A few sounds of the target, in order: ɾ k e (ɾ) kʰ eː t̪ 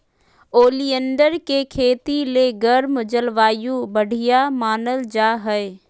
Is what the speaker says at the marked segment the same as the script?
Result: no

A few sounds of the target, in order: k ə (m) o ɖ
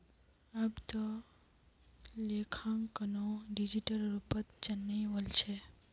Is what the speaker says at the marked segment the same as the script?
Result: no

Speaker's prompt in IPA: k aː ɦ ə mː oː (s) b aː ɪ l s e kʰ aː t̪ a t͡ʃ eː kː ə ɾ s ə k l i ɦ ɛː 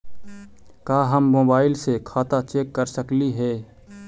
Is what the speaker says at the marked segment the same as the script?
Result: no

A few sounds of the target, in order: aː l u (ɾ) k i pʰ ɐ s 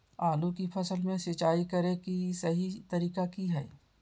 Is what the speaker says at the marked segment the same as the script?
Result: no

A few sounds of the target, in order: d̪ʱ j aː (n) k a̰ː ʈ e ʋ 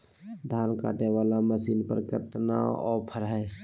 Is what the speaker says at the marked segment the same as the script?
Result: yes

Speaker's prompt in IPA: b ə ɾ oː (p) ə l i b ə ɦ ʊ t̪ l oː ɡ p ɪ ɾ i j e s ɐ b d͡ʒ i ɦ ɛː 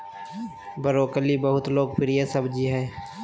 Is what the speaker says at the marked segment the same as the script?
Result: no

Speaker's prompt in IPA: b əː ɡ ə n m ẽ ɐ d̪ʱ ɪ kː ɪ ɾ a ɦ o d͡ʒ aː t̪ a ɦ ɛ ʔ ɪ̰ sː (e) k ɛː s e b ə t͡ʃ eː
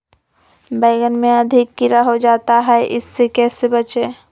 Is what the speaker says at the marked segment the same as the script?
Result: yes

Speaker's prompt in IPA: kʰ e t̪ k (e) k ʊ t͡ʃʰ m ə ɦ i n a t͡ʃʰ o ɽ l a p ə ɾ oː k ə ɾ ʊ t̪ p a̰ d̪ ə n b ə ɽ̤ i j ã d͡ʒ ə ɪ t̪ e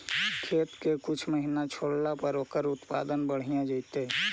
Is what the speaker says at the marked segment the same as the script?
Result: yes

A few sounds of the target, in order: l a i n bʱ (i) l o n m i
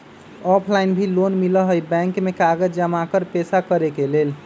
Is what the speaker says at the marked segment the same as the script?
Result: yes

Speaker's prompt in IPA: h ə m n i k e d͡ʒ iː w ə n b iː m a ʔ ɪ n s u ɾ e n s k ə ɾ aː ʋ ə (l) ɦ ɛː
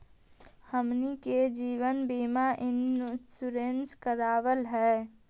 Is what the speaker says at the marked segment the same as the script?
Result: yes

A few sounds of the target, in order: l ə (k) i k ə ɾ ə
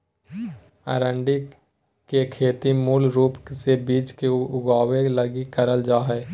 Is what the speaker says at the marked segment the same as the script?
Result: no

